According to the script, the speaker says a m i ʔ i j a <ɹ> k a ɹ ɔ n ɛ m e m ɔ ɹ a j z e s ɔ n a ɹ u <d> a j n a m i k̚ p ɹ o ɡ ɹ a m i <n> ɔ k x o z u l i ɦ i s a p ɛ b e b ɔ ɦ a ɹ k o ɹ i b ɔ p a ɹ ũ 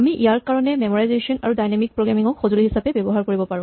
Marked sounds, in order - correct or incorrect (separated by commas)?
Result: correct, correct, incorrect